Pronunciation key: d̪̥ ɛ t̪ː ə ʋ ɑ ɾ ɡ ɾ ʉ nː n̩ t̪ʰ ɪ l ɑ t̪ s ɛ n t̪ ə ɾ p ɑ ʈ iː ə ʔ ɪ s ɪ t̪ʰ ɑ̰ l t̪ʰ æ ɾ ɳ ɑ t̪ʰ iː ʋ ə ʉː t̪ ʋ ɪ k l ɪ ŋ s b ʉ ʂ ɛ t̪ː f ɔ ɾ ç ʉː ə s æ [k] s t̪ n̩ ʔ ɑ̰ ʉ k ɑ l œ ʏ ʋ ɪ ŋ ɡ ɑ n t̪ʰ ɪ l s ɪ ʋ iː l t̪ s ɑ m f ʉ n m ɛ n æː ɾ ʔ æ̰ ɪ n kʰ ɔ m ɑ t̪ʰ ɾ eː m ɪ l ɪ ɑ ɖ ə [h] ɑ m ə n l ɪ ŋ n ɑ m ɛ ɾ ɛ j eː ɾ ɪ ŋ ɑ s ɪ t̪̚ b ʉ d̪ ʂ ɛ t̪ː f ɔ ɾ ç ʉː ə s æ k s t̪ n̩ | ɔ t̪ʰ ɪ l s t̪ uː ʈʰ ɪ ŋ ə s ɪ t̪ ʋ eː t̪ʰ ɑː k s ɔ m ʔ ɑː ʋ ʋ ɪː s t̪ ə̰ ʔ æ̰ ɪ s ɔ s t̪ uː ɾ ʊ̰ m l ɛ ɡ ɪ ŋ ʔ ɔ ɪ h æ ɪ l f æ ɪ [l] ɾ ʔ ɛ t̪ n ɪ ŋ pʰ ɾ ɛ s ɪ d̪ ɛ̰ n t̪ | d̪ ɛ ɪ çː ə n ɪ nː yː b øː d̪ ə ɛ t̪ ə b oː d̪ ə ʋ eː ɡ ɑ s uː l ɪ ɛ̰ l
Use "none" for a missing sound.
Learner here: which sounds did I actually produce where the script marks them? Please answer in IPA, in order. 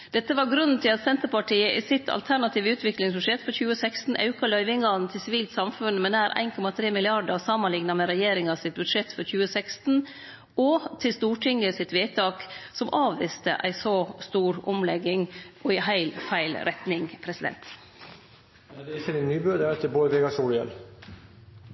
k, s, l

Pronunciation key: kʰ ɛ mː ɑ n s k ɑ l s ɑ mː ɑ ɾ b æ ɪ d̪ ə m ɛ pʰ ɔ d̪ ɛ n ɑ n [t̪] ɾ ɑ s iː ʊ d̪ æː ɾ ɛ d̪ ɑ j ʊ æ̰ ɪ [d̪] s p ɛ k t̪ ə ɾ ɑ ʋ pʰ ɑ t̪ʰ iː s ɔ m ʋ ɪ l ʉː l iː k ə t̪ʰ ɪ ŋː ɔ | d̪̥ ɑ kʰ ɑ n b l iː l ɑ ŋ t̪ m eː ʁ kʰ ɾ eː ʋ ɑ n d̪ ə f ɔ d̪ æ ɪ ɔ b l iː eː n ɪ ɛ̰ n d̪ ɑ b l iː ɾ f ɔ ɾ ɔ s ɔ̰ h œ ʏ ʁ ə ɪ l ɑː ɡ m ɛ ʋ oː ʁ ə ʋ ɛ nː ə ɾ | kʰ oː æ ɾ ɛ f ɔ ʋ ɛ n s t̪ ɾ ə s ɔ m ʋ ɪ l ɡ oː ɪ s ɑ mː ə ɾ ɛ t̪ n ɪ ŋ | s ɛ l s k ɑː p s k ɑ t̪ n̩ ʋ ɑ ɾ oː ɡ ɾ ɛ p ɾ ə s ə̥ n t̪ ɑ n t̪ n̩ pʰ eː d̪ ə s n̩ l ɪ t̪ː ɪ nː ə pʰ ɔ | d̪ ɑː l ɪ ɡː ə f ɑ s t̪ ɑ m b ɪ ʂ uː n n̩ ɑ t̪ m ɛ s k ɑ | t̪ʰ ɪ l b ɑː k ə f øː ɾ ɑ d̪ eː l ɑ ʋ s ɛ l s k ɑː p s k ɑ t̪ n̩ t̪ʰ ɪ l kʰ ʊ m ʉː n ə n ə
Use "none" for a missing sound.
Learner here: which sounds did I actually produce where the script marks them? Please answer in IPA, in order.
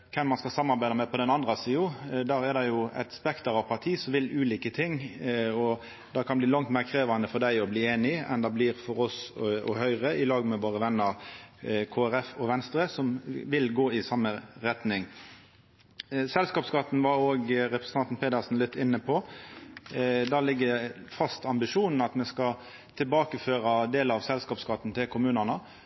d̪, t̪

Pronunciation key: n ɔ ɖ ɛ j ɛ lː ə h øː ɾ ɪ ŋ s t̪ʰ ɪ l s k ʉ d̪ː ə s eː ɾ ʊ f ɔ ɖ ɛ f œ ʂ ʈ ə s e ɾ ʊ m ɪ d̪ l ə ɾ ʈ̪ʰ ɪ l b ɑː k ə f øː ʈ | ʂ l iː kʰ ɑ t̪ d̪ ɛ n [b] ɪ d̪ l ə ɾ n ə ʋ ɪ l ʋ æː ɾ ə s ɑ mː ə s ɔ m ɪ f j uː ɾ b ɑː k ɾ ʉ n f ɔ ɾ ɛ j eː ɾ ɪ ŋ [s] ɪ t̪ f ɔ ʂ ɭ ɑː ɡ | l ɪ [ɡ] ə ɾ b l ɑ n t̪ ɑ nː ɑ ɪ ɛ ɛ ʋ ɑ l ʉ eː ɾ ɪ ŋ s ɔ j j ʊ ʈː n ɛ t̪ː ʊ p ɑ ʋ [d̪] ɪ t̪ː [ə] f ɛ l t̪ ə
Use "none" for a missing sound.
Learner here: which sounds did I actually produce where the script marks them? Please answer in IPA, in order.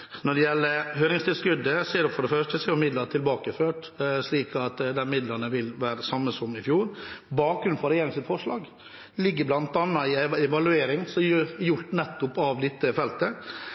m, s, ɡː, d̪, ə

